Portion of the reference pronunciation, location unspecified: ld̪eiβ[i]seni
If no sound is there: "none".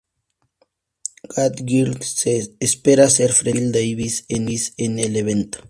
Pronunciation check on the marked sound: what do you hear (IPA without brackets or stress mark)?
i